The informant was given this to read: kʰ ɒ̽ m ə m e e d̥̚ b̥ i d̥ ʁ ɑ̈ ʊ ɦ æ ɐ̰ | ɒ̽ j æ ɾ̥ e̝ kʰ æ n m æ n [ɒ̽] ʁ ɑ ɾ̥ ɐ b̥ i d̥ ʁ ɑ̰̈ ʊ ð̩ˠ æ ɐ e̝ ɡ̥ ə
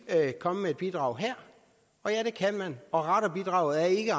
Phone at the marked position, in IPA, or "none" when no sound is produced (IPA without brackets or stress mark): ɒ̽